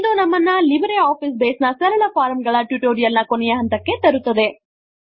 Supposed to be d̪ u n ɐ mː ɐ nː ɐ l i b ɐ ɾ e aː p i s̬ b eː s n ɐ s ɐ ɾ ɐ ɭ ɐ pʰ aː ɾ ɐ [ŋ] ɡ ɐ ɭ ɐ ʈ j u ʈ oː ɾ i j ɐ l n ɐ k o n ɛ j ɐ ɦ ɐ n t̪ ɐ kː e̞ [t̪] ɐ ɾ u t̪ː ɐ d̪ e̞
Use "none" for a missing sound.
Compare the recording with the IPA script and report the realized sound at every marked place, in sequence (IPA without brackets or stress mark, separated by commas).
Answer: m, t̪